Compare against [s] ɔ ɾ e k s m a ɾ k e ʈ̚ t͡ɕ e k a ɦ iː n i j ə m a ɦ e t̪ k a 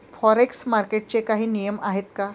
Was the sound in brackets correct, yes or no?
no